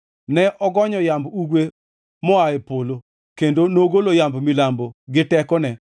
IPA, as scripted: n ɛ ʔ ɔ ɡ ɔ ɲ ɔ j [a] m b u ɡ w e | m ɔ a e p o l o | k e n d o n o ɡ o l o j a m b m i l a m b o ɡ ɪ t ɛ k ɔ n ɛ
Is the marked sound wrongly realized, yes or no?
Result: no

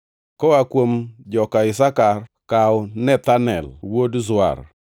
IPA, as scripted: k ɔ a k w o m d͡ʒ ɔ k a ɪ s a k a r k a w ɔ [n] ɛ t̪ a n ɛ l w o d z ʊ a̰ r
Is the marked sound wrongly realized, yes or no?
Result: no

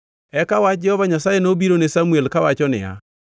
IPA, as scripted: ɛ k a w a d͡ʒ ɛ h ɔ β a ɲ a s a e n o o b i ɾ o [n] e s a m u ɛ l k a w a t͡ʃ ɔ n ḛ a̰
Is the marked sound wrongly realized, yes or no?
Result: no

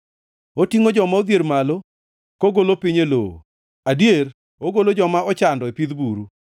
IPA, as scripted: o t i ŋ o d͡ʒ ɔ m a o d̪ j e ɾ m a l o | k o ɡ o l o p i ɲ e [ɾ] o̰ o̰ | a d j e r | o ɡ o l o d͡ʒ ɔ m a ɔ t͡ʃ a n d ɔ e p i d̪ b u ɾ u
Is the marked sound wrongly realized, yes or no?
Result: yes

